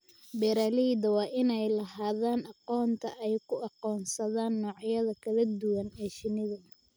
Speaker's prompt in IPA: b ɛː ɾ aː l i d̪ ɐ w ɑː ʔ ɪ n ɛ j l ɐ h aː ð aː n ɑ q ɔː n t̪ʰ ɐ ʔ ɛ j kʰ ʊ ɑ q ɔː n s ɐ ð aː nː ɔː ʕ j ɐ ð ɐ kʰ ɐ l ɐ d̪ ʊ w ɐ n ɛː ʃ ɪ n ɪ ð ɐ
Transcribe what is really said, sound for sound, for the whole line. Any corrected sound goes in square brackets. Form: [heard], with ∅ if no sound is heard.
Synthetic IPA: b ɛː ɾ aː l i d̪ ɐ w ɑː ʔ ɪ n ɛ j l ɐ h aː ð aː n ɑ q ɔː n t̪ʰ ɐ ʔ ɛ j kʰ ʊ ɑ q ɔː n s ɐ ð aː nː ɔː ʕ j ɐ ð ɐ kʰ ɐ l ɐ d̪ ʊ w ɐ n ɛː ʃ ɪ n ɪ ð ɐ